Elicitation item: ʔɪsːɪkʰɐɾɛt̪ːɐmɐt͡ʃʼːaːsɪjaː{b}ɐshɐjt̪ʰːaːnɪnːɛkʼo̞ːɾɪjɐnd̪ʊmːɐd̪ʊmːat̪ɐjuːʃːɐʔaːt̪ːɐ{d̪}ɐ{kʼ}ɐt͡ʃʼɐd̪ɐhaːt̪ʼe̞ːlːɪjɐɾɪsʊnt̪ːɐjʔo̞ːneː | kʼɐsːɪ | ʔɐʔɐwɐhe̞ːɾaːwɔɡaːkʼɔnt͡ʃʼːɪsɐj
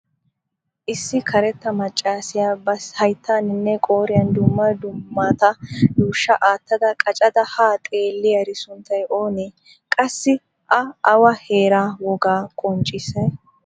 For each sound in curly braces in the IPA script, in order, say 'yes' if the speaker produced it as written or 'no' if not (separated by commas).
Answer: yes, yes, yes